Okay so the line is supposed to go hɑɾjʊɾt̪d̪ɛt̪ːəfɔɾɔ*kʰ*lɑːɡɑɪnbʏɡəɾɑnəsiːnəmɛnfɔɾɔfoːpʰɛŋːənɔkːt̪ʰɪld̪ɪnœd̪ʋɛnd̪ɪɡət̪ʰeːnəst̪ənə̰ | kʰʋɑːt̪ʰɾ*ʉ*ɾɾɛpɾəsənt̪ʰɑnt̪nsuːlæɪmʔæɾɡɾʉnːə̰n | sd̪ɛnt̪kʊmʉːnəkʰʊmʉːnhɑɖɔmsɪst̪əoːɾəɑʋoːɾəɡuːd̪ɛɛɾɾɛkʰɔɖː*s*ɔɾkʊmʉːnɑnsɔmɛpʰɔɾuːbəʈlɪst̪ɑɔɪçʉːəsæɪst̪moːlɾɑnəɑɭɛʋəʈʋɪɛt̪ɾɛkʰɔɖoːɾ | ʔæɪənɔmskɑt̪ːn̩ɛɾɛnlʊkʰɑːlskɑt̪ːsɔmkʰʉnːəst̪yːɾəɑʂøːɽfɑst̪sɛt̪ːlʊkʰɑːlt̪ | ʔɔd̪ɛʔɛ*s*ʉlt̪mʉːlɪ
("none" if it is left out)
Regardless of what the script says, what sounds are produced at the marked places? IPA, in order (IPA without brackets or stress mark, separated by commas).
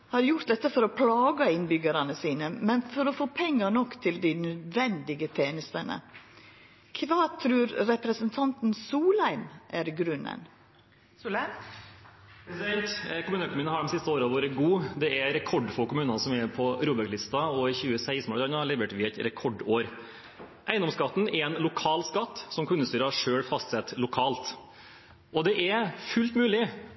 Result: pʰ, ʉː, f, f